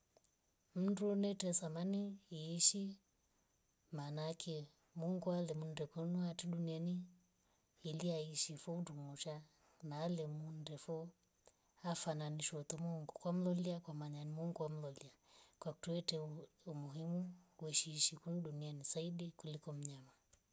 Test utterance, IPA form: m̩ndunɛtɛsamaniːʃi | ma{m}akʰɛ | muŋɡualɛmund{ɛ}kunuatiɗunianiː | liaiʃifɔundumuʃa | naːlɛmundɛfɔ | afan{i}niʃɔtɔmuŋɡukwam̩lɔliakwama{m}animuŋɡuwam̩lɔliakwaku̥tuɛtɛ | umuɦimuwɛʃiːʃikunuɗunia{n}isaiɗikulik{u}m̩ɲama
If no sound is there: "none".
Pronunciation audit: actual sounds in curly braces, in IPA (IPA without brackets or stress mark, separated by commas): n, ɛ, a, ɲ, n, ɔ